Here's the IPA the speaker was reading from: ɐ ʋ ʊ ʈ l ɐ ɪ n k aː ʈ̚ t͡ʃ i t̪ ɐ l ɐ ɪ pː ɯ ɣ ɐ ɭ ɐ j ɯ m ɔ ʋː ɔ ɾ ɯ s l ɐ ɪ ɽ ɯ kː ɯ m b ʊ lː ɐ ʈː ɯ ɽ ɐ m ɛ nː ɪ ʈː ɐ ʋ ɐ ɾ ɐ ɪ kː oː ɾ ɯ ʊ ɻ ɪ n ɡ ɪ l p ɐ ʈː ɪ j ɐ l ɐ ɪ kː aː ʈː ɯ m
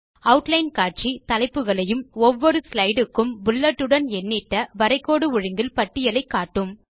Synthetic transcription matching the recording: ɐ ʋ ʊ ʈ l ɐ ɪ n k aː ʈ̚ t͡ʃ i t̪ ɐ l ɐ ɪ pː ɯ ɣ ɐ ɭ ɐ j ɯ m ɔ ʋː ɔ ɾ ɯ s l ɐ ɪ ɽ ɯ kː ɯ m b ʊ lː ɐ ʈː ɯ ɽ ɐ n ɛ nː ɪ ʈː ɐ ʋ ɐ ɾ ɐ ɪ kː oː ɽ ɯ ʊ ɻ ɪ ŋ ɡ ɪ l p ɐ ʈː ɪ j ɐ l ɐ ɪ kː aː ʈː ɯ m